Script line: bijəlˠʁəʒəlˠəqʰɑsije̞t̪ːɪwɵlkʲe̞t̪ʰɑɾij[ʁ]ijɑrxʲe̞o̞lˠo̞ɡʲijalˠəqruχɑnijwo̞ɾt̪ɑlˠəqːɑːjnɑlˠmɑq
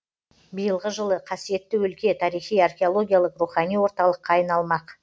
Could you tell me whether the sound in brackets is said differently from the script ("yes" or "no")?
yes